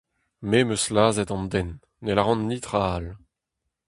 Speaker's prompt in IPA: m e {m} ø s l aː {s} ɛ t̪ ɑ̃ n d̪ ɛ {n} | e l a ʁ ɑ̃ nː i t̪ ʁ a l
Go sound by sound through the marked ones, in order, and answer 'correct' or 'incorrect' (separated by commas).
correct, incorrect, incorrect